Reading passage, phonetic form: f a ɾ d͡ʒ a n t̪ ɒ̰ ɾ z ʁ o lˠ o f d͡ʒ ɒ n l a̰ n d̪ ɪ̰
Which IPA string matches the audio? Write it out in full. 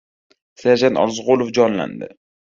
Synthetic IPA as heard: s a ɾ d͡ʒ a n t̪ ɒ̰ ɾ z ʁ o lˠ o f d͡ʒ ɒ n l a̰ n d̪ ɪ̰